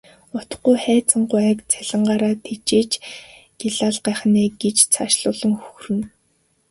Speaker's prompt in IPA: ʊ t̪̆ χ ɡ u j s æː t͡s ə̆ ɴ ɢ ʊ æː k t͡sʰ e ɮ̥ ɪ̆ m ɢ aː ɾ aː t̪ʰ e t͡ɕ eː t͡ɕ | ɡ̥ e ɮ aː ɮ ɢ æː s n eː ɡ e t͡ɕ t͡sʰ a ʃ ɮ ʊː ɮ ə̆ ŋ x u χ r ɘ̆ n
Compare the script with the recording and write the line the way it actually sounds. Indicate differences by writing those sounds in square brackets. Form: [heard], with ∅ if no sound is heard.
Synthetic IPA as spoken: ʊ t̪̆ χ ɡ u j [χ] æː t͡s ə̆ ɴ ɢ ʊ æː k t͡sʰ [æ] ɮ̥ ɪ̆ [ɴ] ɢ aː ɾ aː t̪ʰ e t͡ɕ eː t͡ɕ | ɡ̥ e ɮ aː ɮ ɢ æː [χ] n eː ɡ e t͡ɕ t͡sʰ a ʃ ɮ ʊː ɮ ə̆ ŋ x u [x] r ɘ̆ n

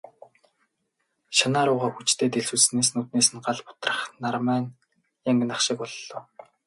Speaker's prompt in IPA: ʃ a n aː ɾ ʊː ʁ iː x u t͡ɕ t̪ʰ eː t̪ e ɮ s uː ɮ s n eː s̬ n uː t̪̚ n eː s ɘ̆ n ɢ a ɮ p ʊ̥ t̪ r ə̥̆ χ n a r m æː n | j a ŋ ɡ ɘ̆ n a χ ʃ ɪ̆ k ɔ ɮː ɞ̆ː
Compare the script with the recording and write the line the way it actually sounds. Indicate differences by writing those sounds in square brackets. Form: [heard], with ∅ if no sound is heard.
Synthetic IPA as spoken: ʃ a n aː ɾ ʊː ʁ [aː] x u t͡ɕ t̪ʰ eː t̪ e ɮ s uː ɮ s n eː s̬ n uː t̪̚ n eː s ɘ̆ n ɢ a ɮ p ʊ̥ t̪ r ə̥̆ χ n a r m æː n | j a ŋ ɡ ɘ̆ n a χ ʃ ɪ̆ k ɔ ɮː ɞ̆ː

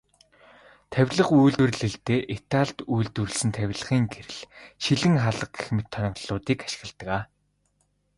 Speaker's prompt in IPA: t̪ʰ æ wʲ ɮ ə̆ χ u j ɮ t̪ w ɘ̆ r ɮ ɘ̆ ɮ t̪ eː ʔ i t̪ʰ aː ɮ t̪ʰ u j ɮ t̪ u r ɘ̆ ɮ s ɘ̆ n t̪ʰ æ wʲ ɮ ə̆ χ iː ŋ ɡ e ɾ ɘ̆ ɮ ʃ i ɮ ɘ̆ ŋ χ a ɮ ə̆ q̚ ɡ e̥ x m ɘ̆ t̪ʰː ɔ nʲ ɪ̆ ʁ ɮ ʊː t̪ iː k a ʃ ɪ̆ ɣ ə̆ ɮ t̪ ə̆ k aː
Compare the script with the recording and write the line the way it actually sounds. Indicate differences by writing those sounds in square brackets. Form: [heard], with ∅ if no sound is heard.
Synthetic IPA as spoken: t̪ʰ æ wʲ ɮ ə̆ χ u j ɮ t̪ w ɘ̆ r ɮ ɘ̆ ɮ t̪ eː ʔ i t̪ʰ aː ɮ [t̪] u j ɮ t̪ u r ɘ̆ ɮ s ɘ̆ n t̪ʰ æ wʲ ɮ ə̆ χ iː ŋ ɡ e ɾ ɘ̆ ɮ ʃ i ɮ ɘ̆ ŋ χ a ɮ ə̆ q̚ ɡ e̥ x m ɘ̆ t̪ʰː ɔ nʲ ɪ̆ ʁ ɮ ʊː t̪ iː k a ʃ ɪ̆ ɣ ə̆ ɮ t̪ ə̆ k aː

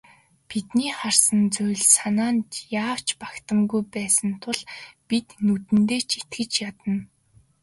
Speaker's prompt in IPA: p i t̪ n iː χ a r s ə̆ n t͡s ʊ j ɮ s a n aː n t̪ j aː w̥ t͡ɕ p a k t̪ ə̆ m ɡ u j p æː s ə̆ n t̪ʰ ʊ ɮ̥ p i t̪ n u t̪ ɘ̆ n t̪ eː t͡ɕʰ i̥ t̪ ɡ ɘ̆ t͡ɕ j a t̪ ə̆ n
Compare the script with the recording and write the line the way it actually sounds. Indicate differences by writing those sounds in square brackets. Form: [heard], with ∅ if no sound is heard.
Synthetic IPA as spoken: p i t̪ n iː χ a r s ə̆ n t͡s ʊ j ɮ s a n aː n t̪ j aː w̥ t͡ɕ p a k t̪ ə̆ m ɡ u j p æː s ə̆ n t̪ʰ ʊ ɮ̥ p i t̪ n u t̪ ɘ̆ n t̪ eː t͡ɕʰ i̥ t̪ ɡ ɘ̆ t͡ɕ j a t̪ ə̆ n

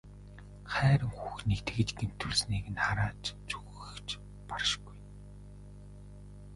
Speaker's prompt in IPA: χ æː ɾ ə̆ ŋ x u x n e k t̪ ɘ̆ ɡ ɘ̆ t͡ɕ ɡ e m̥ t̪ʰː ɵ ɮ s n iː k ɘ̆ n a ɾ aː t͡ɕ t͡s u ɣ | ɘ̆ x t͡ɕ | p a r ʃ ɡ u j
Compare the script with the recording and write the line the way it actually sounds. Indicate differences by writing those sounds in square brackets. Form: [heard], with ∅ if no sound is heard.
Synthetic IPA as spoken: χ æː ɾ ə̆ ŋ x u x n e k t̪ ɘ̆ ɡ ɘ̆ t͡ɕ ɡ e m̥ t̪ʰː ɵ ɮ s n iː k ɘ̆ n a ɾ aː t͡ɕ t͡s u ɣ | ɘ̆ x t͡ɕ | p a r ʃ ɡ u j

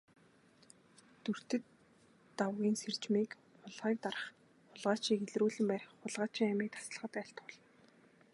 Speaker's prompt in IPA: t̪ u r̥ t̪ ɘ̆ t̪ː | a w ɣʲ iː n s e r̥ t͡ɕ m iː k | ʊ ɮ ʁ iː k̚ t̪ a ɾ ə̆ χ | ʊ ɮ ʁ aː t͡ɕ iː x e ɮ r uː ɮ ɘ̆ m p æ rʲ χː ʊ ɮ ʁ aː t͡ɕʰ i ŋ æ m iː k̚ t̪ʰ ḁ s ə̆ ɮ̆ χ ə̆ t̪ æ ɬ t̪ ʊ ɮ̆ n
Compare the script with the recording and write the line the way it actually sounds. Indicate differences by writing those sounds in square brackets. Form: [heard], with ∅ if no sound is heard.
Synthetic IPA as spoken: t̪ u r̥ t̪ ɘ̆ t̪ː | a w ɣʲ iː n s e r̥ t͡ɕ m iː k | ʊ ɮ ʁ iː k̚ t̪ a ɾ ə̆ χ | ʊ ɮ ʁ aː t͡ɕ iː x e ɮ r uː ɮ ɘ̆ m p æ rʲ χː ʊ ɮ ʁ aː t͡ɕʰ i ŋ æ m iː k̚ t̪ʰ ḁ s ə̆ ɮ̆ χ ə̆ t̪ æ ɬ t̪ ʊ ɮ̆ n

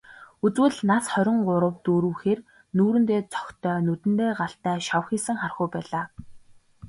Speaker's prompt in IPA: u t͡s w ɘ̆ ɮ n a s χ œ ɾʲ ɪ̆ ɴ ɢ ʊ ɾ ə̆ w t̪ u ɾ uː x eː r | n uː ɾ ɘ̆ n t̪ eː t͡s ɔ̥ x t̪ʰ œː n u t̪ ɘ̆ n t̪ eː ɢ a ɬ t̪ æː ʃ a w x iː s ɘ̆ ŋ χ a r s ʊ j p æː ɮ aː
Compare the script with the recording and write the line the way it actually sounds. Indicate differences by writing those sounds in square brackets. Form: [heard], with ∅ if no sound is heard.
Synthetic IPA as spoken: u t͡s w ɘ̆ ɮ n a s χ œ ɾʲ ɪ̆ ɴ ɢ ʊ ɾ ə̆ w t̪ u ɾ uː x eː r | n uː ɾ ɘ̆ n t̪ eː t͡s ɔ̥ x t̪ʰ œː n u t̪ ɘ̆ n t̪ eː ɢ a ɬ t̪ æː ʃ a w x iː s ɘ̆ ŋ χ a r [χ] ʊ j p æː ɮ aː

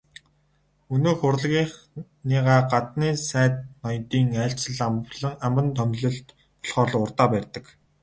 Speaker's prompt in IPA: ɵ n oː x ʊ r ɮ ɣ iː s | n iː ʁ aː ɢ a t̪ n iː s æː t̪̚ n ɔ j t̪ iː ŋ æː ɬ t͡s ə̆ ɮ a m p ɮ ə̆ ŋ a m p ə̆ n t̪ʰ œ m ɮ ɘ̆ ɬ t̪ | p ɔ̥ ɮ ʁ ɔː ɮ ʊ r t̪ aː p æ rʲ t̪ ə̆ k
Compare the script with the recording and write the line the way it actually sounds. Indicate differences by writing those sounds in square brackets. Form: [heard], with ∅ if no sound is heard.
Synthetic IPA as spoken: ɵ n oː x ʊ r ɮ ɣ iː [χ] | n iː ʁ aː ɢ a t̪ n iː s æː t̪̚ n ɔ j t̪ iː ŋ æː ɬ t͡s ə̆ ɮ a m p ɮ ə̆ ŋ a m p ə̆ n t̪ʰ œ m ɮ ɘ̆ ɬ t̪ | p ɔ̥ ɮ [χ] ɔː ɮ ʊ r t̪ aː p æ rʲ t̪ ə̆ k

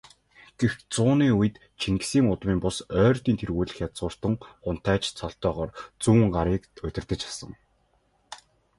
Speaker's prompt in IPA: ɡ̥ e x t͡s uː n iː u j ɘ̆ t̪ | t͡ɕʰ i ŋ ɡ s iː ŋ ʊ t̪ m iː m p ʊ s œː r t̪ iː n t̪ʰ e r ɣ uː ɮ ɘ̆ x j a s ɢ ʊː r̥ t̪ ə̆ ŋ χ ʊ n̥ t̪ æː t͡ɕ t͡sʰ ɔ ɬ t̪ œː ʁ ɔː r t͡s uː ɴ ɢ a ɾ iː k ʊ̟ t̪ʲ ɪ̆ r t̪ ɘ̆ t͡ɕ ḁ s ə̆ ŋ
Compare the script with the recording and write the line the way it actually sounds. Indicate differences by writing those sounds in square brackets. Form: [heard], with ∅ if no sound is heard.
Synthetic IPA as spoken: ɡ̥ e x t͡s [ʊː] n iː u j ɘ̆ t̪ | t͡ɕʰ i ŋ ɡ s iː ŋ ʊ t̪ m iː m p ʊ s œː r t̪ iː n t̪ʰ e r ɣ uː ɮ ɘ̆ x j a [t͡s] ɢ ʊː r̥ t̪ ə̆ ŋ χ ʊ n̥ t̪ æː t͡ɕ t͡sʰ ɔ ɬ t̪ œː ʁ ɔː r t͡s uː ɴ ɢ a ɾ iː k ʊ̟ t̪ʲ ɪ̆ r t̪ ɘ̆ t͡ɕ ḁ s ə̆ ŋ

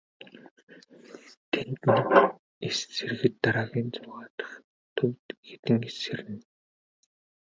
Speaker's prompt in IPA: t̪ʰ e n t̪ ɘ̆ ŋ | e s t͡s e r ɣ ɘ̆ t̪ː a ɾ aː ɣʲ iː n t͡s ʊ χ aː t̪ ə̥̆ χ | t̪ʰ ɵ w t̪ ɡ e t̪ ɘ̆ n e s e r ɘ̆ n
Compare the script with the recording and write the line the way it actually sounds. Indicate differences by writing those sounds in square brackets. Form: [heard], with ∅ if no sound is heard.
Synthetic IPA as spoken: t̪ʰ e n t̪ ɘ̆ [n] | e s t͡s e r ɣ ɘ̆ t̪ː a ɾ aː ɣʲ iː n t͡s ʊ [ʁ] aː t̪ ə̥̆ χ | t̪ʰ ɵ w t̪ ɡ e t̪ ɘ̆ [ŋ] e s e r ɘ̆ n

